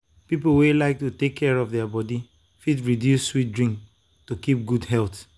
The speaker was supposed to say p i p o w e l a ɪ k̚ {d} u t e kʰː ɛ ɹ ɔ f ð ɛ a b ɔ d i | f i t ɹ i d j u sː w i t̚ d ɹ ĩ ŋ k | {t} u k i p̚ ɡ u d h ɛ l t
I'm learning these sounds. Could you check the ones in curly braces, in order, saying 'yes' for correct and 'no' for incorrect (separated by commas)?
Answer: no, yes